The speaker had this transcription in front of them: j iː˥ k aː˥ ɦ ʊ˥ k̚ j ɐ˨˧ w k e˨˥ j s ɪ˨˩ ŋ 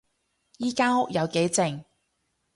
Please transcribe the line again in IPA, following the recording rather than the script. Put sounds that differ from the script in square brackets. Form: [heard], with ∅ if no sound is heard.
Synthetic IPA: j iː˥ k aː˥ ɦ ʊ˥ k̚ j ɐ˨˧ w k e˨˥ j [t͡s] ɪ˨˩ ŋ